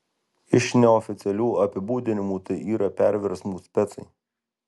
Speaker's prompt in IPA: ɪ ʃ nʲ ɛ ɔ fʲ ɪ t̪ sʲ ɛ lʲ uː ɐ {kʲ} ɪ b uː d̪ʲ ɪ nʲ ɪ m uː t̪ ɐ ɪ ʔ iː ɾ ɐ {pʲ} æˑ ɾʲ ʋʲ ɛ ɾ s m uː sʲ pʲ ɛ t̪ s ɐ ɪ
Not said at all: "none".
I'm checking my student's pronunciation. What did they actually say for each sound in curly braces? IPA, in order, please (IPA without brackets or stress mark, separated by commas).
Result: pʲ, pʲ